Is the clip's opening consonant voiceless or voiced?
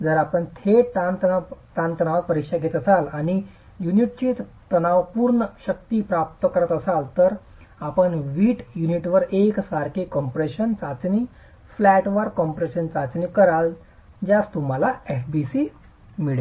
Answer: voiced